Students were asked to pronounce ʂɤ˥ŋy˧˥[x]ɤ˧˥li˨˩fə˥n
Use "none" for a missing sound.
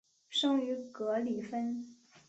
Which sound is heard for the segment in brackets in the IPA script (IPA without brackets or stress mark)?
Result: k